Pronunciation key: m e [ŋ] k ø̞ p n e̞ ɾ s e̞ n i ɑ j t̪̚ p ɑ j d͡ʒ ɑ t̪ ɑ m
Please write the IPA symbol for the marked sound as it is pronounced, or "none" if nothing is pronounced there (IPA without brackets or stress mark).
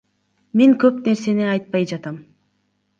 ŋ